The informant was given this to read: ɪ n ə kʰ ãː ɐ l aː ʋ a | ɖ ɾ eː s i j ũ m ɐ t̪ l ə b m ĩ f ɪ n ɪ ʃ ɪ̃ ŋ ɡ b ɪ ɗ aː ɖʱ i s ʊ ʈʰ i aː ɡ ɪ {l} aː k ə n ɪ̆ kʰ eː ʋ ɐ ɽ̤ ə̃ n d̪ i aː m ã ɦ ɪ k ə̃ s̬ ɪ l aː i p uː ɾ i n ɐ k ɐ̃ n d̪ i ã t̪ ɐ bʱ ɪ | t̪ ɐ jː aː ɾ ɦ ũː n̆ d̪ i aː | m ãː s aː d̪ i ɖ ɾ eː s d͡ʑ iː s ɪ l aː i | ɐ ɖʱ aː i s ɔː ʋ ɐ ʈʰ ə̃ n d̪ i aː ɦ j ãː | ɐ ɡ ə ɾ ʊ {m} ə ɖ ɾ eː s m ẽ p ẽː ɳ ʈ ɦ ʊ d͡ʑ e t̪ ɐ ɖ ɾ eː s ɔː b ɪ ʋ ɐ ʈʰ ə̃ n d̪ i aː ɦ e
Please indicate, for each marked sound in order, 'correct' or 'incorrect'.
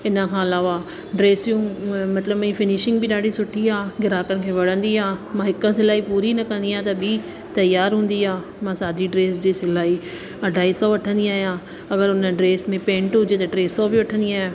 incorrect: ɾ, incorrect: n

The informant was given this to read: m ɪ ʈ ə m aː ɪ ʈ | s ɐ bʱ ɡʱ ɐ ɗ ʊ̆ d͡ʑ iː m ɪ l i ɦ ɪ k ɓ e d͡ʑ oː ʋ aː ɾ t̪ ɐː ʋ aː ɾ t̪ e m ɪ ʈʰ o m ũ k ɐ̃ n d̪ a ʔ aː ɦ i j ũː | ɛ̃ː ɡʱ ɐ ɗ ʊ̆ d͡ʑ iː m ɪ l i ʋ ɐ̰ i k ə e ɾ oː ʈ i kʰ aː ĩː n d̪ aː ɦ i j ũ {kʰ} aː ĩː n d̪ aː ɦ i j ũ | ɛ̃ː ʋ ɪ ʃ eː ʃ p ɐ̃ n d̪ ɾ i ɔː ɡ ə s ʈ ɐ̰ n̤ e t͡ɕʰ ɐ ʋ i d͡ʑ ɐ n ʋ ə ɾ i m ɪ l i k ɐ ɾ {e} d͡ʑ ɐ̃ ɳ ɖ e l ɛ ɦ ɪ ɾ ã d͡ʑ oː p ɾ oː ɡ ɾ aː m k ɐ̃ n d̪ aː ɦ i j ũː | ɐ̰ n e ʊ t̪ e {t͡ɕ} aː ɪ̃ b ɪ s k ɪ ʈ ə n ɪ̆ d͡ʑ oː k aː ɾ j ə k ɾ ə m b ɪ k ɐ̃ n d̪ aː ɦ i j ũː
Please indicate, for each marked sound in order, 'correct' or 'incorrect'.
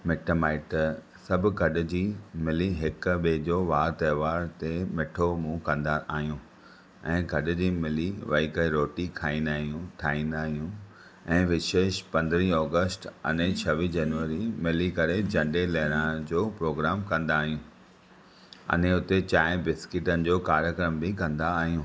incorrect: ʈʰ, correct, correct

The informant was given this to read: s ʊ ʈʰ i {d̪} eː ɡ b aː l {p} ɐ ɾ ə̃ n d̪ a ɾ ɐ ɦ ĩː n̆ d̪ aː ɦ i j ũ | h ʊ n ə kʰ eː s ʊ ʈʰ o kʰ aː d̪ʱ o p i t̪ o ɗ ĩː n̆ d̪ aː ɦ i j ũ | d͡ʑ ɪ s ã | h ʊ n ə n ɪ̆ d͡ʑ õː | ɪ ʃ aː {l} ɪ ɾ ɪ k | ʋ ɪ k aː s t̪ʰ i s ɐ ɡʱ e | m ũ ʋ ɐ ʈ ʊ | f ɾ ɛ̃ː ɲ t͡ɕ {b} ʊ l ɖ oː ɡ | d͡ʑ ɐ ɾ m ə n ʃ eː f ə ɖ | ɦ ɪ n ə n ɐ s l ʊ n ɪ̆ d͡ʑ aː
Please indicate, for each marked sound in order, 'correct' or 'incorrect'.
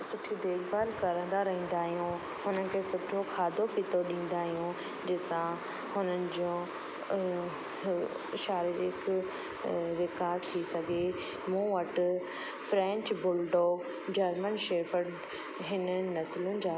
correct, incorrect: k, incorrect: ɾ, correct

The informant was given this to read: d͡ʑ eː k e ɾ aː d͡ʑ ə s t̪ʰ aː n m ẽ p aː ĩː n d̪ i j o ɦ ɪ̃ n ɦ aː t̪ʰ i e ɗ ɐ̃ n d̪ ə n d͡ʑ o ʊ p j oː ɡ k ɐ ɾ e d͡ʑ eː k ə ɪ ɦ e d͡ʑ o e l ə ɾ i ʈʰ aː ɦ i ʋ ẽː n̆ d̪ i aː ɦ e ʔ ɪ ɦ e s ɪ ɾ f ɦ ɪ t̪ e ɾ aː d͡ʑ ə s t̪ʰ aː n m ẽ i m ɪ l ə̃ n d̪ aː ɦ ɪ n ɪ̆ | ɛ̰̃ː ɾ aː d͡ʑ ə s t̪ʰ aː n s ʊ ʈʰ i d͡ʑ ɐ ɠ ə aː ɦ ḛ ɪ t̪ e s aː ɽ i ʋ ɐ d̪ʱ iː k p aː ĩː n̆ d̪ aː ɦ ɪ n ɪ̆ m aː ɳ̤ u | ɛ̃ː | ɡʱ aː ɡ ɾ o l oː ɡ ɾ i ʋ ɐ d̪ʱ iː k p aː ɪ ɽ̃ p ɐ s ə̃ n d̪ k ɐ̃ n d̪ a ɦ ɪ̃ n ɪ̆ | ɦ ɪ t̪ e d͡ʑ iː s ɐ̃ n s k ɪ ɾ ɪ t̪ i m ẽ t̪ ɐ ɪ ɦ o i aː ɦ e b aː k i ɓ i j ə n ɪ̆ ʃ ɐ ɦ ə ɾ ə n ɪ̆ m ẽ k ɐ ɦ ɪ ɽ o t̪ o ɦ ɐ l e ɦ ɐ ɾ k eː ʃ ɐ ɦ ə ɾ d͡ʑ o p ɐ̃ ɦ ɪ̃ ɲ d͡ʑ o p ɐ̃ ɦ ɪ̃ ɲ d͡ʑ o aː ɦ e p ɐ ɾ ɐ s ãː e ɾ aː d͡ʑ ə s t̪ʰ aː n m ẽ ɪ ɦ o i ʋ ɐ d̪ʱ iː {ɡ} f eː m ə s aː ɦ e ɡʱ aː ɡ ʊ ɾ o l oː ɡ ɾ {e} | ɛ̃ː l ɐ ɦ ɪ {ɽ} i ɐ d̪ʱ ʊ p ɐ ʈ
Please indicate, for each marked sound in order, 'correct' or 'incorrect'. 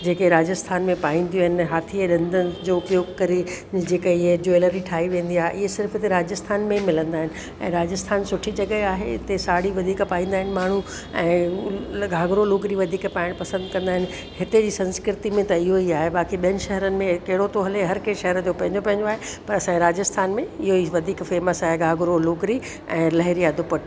incorrect: k, incorrect: i, incorrect: ɾ

